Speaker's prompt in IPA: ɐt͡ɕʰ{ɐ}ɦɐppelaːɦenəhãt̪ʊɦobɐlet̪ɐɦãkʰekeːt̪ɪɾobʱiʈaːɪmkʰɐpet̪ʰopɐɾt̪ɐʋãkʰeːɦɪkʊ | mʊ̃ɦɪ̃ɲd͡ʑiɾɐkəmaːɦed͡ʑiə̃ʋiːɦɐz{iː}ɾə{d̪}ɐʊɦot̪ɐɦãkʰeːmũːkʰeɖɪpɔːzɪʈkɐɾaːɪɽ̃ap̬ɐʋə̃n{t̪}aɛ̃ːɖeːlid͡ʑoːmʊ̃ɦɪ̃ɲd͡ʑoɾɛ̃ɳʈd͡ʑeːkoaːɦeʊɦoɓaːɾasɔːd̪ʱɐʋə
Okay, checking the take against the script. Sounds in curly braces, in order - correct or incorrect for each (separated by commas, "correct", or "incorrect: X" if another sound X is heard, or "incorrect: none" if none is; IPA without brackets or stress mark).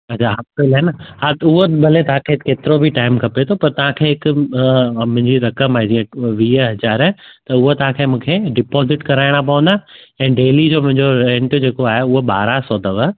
incorrect: a, incorrect: aː, incorrect: t̪, incorrect: d̪